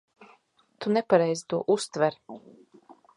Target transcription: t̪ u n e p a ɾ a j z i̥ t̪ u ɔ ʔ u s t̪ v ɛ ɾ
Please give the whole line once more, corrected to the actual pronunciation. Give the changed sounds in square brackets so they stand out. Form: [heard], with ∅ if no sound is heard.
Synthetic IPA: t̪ u n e p a ɾ [ɛ] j z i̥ t̪ u ɔ ʔ u s t̪ v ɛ ɾ